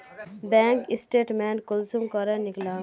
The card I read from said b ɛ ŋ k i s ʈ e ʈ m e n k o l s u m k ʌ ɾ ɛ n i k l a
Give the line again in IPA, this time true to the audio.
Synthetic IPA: b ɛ ŋ k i s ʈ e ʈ m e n k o l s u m k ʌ ɾ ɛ n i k l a